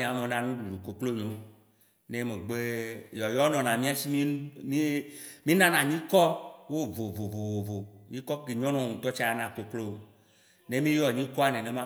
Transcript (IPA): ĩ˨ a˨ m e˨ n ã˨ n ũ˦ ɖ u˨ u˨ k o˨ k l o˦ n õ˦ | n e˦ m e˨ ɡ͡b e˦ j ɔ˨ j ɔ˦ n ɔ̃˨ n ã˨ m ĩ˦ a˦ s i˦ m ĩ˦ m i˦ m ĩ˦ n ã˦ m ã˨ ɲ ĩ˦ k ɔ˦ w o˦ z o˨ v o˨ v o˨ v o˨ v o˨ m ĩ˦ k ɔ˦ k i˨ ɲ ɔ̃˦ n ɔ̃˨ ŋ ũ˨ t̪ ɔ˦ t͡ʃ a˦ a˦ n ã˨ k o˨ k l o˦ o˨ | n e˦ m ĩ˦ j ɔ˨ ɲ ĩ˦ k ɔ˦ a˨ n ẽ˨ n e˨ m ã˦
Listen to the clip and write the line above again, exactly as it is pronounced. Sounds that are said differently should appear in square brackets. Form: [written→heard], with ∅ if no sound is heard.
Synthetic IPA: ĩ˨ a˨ m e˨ n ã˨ n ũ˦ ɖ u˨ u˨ k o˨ k l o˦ [n→ɲ] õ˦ | n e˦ m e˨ ɡ͡b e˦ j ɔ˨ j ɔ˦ n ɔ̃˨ n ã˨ m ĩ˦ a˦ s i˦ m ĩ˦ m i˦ m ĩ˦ n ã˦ [m→n] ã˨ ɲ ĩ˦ k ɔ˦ w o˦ [z→v] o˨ v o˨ v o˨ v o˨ v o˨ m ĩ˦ k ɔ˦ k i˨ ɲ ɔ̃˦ n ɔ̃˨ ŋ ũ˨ t̪ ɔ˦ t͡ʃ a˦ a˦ n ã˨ k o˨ k l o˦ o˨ | n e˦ m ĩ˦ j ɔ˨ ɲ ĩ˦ k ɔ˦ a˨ n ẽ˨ n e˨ m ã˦